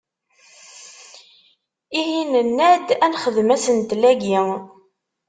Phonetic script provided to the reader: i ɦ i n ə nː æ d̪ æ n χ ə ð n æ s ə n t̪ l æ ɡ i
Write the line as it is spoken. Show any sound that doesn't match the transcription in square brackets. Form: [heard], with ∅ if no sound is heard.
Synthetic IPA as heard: i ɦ i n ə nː æ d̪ æ n χ ə ð [m] æ s ə n t̪ l æ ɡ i